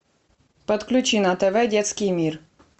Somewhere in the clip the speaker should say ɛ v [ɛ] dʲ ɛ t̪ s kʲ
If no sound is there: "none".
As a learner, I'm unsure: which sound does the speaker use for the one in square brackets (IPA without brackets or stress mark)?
ɛ